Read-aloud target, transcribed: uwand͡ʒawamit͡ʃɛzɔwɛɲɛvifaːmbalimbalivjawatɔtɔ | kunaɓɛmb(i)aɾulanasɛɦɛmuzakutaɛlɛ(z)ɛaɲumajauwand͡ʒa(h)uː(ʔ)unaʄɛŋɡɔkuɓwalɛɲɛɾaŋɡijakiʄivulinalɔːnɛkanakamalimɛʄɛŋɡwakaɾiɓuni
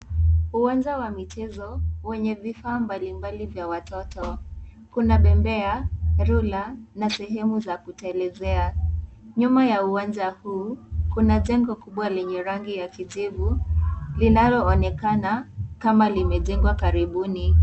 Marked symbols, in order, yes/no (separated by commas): no, yes, yes, no